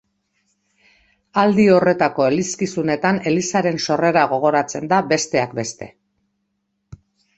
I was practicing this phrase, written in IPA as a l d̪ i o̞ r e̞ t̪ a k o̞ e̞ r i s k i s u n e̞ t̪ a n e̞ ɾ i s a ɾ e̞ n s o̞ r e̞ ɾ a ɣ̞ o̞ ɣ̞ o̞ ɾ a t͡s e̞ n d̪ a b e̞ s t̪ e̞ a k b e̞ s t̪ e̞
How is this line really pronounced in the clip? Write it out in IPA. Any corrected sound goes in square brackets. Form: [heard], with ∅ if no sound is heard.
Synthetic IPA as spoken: a l d̪ i o̞ r e̞ t̪ a k o̞ e̞ [l] i s k i s u n e̞ t̪ a n e̞ [l] i s a ɾ e̞ n s o̞ r e̞ ɾ a ɣ̞ o̞ ɣ̞ o̞ ɾ a t͡s e̞ n d̪ a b e̞ s t̪ e̞ a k b e̞ s t̪ e̞